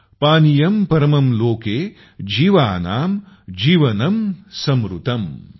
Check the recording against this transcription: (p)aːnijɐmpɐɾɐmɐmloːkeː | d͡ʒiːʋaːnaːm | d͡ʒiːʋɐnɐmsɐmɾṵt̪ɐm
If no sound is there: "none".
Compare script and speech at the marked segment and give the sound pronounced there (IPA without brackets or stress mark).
p